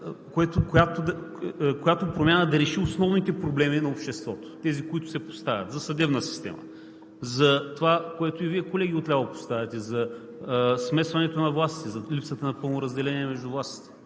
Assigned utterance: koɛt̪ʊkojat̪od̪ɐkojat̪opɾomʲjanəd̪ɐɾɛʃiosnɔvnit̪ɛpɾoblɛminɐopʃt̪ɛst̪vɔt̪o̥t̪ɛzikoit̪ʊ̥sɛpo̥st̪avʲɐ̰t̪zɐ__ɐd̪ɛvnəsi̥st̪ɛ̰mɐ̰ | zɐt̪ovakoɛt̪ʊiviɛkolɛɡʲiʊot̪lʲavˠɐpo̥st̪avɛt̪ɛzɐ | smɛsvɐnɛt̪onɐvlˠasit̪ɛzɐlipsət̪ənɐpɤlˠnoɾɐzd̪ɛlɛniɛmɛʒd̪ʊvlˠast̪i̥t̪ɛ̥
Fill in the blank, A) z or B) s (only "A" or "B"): B